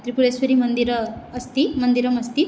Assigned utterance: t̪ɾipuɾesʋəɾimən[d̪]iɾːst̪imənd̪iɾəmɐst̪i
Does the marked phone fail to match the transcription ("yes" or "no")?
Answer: no